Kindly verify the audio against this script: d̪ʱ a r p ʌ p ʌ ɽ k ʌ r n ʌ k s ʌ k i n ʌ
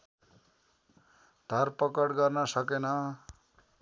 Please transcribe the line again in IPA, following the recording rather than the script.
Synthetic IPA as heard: d̪ʱ ʌ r p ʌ k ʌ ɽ ɡ ʌ r n ʌ s ʌ k e n ʌ

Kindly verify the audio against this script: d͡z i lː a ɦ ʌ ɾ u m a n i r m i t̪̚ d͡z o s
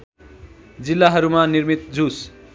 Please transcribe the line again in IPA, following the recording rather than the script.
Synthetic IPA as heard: d͡z i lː a ɦ ʌ ɾ u m a n i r m i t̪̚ d͡z u s

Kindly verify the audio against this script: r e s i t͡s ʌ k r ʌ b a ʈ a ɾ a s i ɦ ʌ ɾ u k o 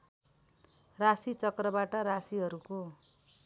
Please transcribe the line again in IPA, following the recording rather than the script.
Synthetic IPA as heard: r a s i t͡s ʌ k r ʌ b a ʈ ʌ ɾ a s i ɦ ʌ ɾ u k o

